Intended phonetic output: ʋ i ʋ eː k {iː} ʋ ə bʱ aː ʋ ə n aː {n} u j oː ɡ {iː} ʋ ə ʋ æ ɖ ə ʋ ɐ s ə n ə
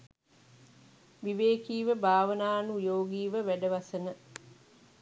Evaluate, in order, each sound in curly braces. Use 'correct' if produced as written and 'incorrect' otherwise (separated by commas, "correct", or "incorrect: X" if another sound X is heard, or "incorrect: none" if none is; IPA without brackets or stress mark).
correct, correct, correct